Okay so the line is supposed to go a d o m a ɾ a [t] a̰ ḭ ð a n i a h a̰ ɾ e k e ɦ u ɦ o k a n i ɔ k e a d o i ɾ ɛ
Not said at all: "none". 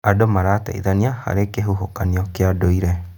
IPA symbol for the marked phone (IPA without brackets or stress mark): t